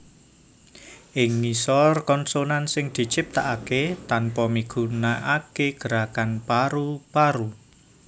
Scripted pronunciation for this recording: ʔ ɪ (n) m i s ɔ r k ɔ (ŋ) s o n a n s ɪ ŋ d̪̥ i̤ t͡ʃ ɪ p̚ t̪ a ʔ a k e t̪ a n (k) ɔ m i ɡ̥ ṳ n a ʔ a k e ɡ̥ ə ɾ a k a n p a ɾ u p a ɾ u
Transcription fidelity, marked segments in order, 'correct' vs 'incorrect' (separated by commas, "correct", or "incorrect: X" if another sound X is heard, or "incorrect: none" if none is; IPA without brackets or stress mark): incorrect: ŋ, incorrect: n, incorrect: p